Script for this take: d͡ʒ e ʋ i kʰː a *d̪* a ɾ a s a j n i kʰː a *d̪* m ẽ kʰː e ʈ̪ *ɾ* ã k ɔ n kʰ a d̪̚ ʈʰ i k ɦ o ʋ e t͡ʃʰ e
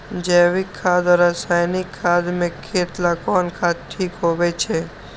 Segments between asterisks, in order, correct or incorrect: correct, correct, incorrect

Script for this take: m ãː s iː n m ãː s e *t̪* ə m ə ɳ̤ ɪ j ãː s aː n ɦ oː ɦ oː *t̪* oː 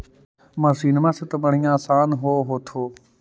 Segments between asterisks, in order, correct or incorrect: correct, incorrect

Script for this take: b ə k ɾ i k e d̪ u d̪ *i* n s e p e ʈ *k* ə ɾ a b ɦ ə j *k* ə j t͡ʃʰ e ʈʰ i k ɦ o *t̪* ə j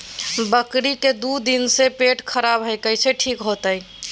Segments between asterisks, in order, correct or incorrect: correct, incorrect, correct, correct

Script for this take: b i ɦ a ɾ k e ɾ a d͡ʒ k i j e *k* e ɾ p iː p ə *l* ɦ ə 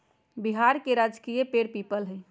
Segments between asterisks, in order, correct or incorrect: incorrect, correct

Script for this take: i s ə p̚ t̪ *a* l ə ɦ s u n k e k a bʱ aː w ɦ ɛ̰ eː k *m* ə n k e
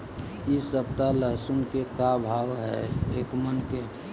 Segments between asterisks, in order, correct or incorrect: correct, correct

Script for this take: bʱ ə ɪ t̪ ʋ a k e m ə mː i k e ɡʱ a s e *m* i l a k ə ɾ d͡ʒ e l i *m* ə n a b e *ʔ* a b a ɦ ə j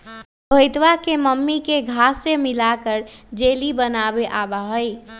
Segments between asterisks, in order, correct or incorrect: correct, incorrect, correct

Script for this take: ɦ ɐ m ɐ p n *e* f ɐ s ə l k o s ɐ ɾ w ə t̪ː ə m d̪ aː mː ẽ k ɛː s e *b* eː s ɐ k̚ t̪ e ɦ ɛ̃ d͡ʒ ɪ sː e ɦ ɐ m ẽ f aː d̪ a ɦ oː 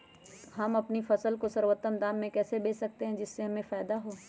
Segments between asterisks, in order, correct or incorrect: incorrect, correct

